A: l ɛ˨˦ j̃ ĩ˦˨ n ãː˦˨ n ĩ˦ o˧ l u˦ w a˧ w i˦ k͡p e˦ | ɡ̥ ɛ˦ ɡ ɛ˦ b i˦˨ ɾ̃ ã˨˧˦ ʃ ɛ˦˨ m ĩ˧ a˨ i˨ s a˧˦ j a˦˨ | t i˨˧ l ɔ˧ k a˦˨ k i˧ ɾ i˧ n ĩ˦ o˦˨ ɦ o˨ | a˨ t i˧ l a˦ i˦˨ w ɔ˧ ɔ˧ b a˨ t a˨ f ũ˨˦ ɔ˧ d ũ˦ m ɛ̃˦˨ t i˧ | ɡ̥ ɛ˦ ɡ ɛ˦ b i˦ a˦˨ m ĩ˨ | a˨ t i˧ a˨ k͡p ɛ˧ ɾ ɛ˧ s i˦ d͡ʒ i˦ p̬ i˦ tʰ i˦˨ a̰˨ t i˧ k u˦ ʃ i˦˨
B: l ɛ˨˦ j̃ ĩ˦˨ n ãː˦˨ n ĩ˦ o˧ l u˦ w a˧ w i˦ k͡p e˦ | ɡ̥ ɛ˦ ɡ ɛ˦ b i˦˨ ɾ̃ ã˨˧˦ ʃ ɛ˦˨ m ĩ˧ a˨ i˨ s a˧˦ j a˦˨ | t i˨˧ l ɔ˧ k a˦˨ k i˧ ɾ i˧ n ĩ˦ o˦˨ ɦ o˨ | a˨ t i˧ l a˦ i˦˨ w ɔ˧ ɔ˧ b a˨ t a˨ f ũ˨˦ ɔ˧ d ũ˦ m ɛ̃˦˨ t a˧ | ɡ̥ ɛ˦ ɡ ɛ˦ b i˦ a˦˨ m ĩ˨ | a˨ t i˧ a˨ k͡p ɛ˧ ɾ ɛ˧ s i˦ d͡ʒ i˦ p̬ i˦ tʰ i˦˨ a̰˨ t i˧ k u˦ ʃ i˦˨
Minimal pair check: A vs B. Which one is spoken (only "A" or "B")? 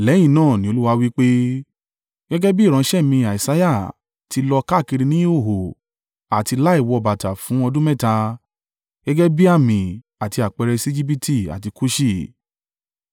B